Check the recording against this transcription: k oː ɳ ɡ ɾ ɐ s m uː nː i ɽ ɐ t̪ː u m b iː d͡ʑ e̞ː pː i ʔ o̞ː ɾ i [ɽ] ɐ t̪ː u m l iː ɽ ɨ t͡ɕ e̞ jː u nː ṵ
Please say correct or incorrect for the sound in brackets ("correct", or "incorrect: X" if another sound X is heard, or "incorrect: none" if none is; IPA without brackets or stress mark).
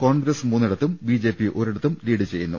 correct